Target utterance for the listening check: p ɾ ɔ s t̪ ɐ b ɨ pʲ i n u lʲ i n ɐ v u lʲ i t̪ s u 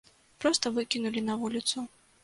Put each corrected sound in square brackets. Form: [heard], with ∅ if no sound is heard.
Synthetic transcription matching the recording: p ɾ ɔ s t̪ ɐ [v] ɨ [kʲ] i n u lʲ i n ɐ v u lʲ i t̪ s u

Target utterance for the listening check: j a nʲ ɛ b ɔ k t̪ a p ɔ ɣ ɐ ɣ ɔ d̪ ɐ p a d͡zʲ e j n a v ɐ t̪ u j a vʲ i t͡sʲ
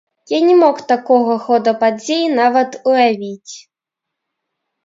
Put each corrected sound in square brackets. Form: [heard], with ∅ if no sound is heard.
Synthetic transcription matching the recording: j a nʲ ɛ [m] ɔ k t̪ a [k] ɔ ɣ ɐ [x] ɔ d̪ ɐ p a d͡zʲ e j n a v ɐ t̪ u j a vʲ i t͡sʲ

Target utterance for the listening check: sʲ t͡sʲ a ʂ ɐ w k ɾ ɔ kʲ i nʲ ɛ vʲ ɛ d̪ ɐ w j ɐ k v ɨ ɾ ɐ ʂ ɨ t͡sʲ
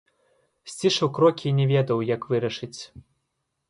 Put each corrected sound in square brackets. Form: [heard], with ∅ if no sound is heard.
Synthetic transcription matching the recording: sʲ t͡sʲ [i] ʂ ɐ w k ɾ ɔ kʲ i nʲ ɛ vʲ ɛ d̪ ɐ w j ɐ k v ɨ ɾ ɐ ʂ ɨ t͡sʲ

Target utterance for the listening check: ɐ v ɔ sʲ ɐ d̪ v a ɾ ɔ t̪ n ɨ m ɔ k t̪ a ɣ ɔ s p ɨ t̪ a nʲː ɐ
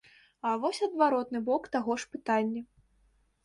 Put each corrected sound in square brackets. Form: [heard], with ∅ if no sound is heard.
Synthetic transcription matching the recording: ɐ v ɔ sʲ ɐ d̪ v a ɾ ɔ t̪ n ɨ [b] ɔ k t̪ a ɣ ɔ [ʂ] p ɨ t̪ a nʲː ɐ

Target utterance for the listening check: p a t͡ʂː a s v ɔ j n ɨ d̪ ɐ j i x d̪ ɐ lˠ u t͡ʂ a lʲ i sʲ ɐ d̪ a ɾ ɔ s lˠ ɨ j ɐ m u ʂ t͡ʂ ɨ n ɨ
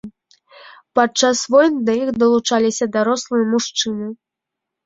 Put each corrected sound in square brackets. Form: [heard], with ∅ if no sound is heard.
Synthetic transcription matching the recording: p a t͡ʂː a s v ɔ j n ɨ d̪ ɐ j i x d̪ ɐ lˠ u t͡ʂ a lʲ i sʲ ɐ d̪ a ɾ ɔ s lˠ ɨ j ɐ m u ʂ t͡ʂ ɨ n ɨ

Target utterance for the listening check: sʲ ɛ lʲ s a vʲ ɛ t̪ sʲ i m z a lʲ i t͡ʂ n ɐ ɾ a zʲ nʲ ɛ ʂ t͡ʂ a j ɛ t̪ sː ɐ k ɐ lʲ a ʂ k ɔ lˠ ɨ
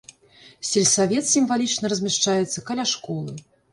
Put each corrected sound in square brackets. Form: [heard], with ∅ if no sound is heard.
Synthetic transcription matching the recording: sʲ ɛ lʲ s a vʲ ɛ t̪ sʲ i m [v] a lʲ i t͡ʂ n ɐ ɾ [ɐ] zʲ [mʲ] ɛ ʂ t͡ʂ a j ɛ t̪ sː ɐ k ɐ lʲ a ʂ k ɔ lˠ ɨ

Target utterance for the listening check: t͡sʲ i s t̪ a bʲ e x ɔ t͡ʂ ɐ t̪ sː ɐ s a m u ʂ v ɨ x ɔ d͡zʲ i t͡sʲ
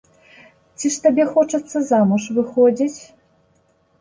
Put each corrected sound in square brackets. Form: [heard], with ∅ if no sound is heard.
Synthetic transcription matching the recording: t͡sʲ i [ʂ] t̪ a bʲ [ɛ] x ɔ t͡ʂ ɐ t̪ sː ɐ [z] a m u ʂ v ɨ x ɔ d͡zʲ i t͡sʲ

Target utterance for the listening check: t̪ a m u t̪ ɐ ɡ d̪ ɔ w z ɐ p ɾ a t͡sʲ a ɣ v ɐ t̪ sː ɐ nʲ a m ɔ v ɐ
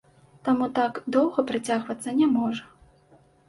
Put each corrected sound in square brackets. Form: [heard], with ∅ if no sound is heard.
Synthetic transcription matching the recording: t̪ a m u t̪ [a] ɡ d̪ ɔ w [ɣ] ɐ p ɾ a t͡sʲ a ɣ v ɐ t̪ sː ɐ nʲ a m ɔ [ʐ] ɐ

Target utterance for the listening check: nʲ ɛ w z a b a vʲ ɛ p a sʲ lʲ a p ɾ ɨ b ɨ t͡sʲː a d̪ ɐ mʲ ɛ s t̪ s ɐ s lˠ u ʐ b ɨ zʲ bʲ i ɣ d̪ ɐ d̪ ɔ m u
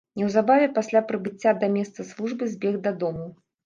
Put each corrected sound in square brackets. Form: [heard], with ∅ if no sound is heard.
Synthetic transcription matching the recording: nʲ ɛ w z a b a vʲ ɛ p a sʲ lʲ a p ɾ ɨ b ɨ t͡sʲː a d̪ ɐ mʲ ɛ s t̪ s ɐ s lˠ u ʐ b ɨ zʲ bʲ [ɛ] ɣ d̪ ɐ d̪ ɔ m u

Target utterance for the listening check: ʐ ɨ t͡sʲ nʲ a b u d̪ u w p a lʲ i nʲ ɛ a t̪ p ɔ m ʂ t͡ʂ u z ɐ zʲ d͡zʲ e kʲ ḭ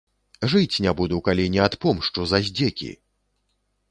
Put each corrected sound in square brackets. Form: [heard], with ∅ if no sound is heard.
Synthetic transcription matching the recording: ʐ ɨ t͡sʲ nʲ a b u d̪ u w [k] a lʲ i nʲ ɛ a t̪ p ɔ m ʂ t͡ʂ u z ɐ zʲ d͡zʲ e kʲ ḭ

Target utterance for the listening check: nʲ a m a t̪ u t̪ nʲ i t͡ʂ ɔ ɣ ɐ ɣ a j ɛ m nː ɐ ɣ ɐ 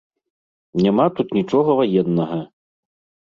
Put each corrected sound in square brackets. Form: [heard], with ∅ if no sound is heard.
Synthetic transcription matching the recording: nʲ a m a t̪ u t̪ nʲ i t͡ʂ ɔ ɣ ɐ [v] a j ɛ [∅] nː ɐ ɣ ɐ

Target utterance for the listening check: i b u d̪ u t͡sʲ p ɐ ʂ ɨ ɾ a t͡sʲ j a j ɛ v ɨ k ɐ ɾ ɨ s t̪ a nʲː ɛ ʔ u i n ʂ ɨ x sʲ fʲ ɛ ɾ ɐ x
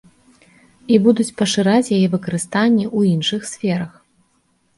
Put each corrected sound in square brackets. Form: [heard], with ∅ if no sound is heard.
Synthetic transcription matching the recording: i b u d̪ u t͡sʲ p ɐ ʂ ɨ ɾ a t͡sʲ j a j ɛ v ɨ k ɐ ɾ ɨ s t̪ a nʲː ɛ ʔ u i n ʂ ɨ x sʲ fʲ ɛ ɾ ɐ x

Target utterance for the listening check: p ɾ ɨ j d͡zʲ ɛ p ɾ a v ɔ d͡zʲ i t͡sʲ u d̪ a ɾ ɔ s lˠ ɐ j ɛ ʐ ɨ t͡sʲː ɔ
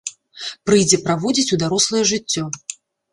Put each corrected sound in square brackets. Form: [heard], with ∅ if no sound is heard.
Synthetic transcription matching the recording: p ɾ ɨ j d͡zʲ ɛ p ɾ a v ɔ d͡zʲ i t͡sʲ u d̪ a ɾ ɔ s lˠ ɐ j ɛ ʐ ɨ t͡sʲː ɔ

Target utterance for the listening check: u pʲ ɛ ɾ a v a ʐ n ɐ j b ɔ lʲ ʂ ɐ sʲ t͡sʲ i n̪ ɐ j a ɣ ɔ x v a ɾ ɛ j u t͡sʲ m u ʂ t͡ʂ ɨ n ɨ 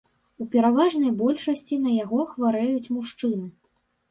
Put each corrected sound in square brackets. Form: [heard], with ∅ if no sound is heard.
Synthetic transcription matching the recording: u pʲ ɛ ɾ a v a ʐ n ɐ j b ɔ lʲ ʂ ɐ sʲ t͡sʲ i n̪ ɐ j a ɣ ɔ x v a ɾ ɛ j u t͡sʲ m u ʂ t͡ʂ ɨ n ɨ

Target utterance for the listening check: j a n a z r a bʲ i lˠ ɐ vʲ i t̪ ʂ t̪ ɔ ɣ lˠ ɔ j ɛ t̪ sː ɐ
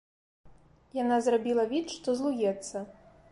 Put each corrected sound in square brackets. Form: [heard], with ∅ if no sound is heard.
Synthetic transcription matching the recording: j a n a z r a bʲ i lˠ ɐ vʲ i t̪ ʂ t̪ ɔ [z] lˠ [u] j ɛ t̪ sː ɐ

